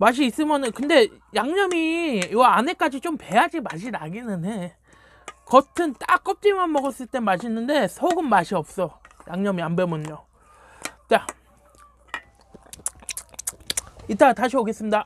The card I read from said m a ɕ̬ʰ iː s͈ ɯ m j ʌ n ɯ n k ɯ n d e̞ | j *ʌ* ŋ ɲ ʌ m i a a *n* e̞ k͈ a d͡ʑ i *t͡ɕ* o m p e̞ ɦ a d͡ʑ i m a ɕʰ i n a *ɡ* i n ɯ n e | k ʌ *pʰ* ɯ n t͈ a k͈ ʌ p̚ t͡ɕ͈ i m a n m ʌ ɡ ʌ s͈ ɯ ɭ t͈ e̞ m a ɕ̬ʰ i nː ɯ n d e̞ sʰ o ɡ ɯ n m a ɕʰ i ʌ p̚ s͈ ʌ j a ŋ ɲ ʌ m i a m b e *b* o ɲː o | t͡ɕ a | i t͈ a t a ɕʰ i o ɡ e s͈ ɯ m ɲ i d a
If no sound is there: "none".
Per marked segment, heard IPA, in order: a, n, t͡ɕ, ɡ, tʰ, m

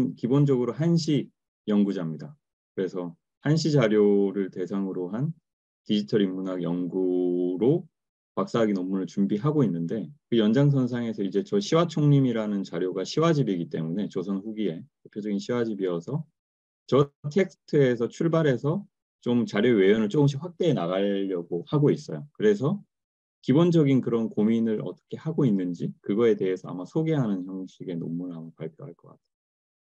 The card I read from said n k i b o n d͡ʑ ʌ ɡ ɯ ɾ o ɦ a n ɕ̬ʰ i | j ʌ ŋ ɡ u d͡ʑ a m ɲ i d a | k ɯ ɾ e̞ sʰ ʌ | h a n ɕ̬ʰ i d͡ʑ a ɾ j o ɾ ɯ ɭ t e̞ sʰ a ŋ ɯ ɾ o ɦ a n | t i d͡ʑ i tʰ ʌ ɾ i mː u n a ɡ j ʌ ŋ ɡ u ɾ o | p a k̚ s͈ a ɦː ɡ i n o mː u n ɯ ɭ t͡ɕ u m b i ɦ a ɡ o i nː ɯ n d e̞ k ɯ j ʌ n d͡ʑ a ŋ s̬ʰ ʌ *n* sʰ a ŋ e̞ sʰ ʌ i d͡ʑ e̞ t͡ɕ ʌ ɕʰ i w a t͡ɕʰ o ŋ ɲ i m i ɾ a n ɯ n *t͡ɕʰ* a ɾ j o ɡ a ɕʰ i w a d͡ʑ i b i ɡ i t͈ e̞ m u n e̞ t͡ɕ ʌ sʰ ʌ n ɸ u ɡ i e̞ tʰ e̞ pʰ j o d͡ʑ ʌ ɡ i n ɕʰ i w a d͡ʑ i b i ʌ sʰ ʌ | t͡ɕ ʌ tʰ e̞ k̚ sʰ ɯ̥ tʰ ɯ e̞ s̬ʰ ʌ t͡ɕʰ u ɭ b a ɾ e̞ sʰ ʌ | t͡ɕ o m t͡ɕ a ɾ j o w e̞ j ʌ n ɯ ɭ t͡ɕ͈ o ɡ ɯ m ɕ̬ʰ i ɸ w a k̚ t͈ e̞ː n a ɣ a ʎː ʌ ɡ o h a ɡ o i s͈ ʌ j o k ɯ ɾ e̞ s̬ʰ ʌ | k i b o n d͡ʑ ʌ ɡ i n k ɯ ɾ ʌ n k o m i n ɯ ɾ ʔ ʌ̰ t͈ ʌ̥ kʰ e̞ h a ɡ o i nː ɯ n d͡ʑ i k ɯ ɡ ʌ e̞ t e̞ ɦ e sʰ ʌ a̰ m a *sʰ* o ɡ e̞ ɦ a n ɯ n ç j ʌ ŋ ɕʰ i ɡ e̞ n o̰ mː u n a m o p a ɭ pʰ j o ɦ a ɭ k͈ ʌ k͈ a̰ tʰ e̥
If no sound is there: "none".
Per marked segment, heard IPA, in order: n, t͡ɕ, sʰ

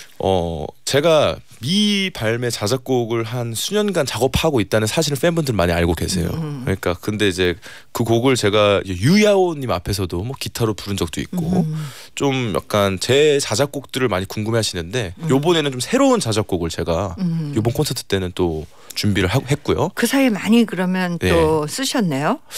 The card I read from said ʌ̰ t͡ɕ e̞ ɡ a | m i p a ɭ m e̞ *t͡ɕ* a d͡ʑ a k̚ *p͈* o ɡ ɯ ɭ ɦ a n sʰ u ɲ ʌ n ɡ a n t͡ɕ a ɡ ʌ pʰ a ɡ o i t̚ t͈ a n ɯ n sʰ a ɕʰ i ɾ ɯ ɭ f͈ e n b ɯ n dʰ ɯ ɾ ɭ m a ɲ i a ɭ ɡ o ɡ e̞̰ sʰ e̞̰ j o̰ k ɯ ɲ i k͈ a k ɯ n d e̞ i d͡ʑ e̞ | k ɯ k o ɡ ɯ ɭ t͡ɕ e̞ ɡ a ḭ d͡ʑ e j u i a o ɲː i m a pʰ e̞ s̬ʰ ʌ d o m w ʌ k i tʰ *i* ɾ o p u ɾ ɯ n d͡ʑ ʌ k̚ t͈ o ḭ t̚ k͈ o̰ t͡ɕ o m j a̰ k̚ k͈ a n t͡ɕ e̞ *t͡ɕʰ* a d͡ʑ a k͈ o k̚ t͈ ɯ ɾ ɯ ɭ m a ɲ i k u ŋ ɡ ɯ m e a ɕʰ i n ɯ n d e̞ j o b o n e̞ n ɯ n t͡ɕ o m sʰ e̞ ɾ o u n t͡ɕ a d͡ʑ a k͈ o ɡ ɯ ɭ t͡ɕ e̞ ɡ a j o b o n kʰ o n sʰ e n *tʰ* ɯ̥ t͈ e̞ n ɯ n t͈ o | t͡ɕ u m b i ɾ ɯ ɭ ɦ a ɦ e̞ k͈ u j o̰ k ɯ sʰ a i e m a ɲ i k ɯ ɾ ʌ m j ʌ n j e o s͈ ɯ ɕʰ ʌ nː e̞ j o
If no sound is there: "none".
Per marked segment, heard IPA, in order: t͡ɕ, k͈, a, t͡ɕ, tʰ

